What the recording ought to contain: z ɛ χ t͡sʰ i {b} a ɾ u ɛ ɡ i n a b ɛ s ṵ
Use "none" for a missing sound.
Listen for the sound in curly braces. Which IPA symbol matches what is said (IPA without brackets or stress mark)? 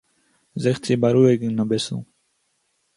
b